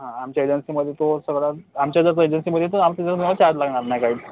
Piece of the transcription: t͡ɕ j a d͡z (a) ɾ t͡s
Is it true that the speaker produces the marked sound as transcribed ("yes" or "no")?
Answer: no